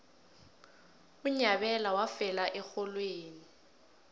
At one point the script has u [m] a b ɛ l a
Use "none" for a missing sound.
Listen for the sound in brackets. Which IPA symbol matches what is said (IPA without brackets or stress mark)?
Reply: ɲ